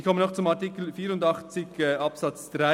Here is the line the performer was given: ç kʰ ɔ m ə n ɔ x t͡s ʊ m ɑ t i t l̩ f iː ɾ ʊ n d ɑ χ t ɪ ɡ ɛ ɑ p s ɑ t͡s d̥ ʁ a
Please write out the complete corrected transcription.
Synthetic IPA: ç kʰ ɔ m ə n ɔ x t͡s ʊ m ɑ t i k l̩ f iː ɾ ʊ n d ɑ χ t͡s ɪ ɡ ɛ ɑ p s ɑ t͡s d̥ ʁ a